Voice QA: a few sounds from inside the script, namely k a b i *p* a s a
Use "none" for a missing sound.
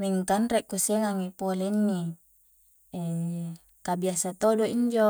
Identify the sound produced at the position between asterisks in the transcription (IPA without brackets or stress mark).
none